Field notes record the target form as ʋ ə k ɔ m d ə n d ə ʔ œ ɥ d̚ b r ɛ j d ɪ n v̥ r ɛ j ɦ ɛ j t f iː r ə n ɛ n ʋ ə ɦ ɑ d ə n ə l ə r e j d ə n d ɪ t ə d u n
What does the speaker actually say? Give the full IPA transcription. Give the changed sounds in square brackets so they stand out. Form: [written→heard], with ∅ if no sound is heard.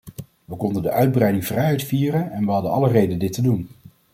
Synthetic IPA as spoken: ʋ ə k ɔ [m→n] d ə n d ə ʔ œ ɥ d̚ b r ɛ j d ɪ [n→ŋ] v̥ r ɛ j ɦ ɛ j t f iː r ə n ɛ n ʋ ə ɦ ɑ d ə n [ə→ɑ] l ə r e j d ə n d ɪ t ə d u n